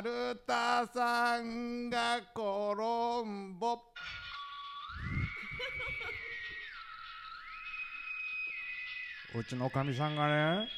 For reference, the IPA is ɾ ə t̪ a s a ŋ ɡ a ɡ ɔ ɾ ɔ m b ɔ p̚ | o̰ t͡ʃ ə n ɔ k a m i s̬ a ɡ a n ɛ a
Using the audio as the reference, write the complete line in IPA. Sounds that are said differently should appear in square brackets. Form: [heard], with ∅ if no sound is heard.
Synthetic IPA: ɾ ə t̪ a s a ŋ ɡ a [k] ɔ ɾ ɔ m b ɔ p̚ | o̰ t͡ʃ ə n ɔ k a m i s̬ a [ŋ] a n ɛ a